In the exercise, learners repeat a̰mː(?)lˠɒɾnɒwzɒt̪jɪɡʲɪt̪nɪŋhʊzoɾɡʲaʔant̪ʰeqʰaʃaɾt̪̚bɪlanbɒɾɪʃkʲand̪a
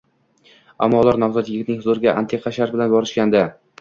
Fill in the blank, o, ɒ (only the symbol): ɒ